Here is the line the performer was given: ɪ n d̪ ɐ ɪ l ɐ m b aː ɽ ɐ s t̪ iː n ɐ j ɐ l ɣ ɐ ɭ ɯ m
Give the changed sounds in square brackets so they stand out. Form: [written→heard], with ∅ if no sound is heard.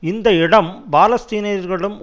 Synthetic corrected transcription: ɪ n d̪ ɐ ɪ [l→ɽ] ɐ m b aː [ɽ→l] ɐ s t̪ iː n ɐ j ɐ [l→ɾ] ɣ ɐ ɭ ɯ m